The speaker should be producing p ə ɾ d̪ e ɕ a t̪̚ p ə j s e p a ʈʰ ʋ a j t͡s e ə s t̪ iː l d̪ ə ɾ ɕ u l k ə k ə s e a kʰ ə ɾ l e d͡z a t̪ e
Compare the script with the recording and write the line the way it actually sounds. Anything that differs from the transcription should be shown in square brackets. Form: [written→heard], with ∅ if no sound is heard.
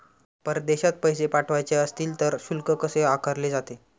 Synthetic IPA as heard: p ə ɾ d̪ e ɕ a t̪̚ p ə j s e p a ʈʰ ʋ a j t͡s e ə s t̪ iː l [d̪→t̪] ə ɾ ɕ u l k ə k ə s e a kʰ ə ɾ l e d͡z a t̪ e